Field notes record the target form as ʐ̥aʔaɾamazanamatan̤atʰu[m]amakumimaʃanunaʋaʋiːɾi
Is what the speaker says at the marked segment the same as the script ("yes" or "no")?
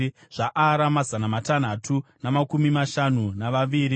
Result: no